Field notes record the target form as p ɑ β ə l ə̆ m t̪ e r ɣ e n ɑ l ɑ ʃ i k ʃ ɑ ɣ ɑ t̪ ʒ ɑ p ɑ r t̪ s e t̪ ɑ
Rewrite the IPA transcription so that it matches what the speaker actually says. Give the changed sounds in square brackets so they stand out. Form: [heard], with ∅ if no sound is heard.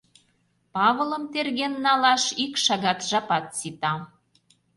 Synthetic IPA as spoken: p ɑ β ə l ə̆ m t̪ e r ɣ e [nː] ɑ l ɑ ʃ i k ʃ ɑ ɣ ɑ t̪ ʒ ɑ p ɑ [∅] t̪ s [i] t̪ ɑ